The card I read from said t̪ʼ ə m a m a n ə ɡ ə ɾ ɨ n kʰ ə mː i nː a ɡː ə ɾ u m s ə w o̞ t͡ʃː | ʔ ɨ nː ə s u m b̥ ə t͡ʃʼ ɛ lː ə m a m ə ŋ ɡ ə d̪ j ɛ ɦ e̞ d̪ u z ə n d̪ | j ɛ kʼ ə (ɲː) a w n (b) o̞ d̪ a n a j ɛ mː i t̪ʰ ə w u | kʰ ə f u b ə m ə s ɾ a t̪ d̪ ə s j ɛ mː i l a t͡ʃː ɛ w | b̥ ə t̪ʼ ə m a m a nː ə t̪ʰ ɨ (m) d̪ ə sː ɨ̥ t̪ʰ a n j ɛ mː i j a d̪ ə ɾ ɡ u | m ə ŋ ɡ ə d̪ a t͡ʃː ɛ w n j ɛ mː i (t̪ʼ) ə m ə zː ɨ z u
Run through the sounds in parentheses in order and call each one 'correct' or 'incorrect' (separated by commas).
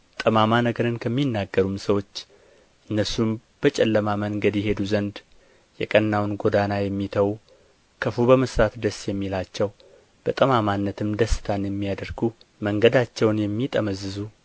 incorrect, incorrect, correct, correct